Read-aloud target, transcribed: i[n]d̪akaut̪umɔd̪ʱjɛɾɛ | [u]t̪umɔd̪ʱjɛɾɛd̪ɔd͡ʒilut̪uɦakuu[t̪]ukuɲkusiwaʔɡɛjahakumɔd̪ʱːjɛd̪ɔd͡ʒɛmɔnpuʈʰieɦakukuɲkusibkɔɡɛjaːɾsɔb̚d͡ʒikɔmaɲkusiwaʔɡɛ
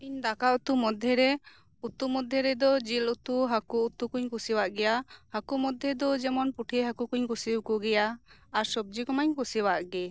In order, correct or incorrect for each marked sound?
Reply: incorrect: ɲ, correct, correct

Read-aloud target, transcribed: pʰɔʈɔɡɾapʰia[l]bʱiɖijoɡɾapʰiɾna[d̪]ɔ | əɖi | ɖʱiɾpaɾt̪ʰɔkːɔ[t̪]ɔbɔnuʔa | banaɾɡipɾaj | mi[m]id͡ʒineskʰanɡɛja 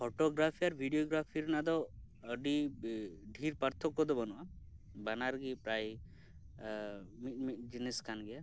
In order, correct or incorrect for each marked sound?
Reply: incorrect: ɾ, correct, incorrect: d̪, correct

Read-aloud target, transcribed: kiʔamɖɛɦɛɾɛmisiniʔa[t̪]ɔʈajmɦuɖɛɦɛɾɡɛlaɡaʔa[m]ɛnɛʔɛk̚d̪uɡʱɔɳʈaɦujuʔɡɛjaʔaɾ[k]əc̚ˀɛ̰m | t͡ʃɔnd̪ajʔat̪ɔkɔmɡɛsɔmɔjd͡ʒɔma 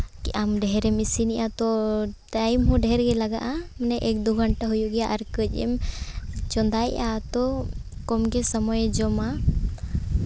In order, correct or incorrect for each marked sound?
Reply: correct, correct, correct

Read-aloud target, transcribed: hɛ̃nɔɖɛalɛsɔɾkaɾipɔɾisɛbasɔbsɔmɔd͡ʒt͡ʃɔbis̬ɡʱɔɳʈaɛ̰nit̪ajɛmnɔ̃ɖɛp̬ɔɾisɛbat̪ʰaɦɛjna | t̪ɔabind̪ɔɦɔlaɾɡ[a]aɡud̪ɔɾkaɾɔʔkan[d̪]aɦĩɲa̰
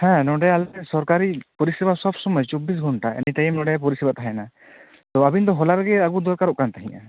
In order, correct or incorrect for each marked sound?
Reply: incorrect: ɛ, incorrect: t̪

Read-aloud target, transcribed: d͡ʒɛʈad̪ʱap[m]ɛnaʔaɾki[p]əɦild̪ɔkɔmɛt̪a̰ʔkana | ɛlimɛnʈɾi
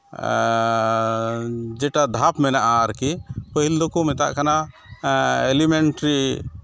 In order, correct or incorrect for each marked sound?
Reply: correct, correct

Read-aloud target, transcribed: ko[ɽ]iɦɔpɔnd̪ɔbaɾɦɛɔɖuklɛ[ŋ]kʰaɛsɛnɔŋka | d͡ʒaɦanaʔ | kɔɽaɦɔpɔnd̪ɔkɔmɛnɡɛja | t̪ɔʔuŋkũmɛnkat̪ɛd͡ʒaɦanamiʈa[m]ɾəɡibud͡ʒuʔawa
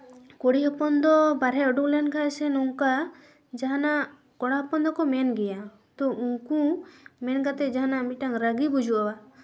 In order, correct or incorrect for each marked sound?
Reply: correct, incorrect: n, incorrect: ŋ

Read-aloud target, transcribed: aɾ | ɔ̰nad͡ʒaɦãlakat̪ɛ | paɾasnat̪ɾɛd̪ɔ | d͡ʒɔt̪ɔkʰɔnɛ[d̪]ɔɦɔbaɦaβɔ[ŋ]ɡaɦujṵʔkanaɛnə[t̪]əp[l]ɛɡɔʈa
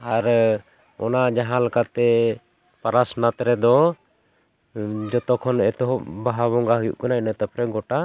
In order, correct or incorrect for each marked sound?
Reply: incorrect: t̪, correct, correct, incorrect: ɾ

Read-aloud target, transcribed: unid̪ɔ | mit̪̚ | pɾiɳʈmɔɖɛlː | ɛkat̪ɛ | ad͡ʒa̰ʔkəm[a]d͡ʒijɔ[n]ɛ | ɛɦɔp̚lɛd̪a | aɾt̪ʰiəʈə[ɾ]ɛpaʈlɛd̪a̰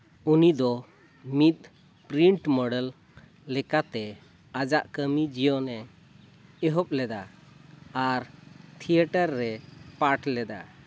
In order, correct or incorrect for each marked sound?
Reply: incorrect: i, correct, incorrect: ɾː

